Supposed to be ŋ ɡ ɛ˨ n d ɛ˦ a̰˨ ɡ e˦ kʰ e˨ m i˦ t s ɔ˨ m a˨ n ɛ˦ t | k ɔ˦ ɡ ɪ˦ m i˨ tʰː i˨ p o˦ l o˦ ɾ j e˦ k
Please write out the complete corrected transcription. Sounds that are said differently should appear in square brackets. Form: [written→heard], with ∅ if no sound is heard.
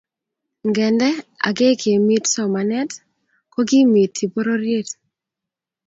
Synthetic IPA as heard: ŋ ɡ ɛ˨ n d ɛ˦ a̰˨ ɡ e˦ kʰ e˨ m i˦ t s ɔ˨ m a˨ n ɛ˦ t | k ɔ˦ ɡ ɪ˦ m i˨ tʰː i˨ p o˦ [l→ɾ] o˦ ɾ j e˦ [k→t]